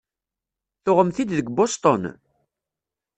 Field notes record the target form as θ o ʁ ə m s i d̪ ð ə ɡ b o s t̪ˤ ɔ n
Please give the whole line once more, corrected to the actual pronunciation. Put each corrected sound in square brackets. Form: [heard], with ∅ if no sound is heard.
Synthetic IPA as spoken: θ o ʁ ə m [θ] i d̪ ð ə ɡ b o s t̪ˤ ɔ n